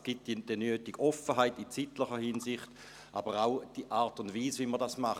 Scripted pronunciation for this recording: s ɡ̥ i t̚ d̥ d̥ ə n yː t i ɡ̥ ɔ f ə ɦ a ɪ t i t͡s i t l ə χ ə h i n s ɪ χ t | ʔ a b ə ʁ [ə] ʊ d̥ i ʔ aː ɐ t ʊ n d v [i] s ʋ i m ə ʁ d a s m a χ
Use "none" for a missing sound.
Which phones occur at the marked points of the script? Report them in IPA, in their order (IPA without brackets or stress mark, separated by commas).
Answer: a, iː